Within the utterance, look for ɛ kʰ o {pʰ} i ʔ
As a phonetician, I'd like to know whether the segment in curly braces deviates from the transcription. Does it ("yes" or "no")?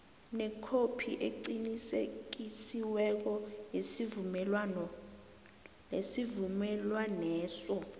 no